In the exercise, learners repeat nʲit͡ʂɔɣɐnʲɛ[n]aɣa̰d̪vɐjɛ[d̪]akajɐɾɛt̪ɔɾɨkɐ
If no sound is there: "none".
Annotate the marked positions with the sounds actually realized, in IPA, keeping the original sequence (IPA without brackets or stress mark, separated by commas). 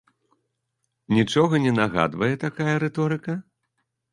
n, t̪